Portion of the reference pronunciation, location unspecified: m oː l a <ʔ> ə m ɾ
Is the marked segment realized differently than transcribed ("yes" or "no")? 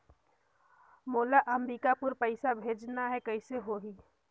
no